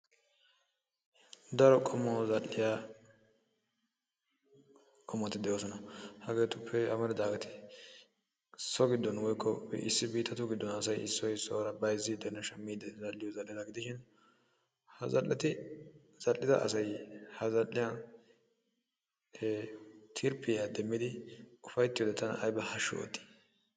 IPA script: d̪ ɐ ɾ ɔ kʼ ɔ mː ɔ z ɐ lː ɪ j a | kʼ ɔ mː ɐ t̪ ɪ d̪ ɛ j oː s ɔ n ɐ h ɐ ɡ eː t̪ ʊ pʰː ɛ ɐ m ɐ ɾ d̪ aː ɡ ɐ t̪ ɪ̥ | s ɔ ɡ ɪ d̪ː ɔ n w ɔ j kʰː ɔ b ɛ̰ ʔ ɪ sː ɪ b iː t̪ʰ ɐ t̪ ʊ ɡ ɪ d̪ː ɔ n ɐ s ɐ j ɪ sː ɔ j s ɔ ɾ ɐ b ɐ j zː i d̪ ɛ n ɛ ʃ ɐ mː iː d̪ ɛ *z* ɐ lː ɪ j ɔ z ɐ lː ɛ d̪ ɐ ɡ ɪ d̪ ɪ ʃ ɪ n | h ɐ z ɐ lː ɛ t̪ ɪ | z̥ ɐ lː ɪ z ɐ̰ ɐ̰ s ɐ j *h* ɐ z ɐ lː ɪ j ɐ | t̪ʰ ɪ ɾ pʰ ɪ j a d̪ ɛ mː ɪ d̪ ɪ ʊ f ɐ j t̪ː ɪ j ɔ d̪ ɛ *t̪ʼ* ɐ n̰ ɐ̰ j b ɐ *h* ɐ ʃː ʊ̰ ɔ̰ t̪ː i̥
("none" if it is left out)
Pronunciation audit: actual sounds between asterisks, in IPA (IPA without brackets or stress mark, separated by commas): z, h, t̪, h